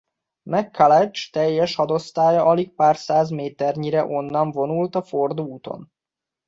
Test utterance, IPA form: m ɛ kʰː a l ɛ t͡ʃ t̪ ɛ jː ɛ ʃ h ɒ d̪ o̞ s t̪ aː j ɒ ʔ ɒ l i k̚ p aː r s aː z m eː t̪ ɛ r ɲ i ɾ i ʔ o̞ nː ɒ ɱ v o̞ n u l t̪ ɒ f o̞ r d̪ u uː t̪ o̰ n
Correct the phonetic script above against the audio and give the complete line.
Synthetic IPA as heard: m ɛ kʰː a l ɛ t͡ʃ t̪ ɛ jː ɛ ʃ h ɒ d̪ o̞ s t̪ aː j ɒ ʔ ɒ l i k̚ p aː r s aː z m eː t̪ ɛ r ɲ i ɾ ɛ ʔ o̞ nː ɒ ɱ v o̞ n u l t̪ ɒ f o̞ r d̪ u uː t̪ o̰ n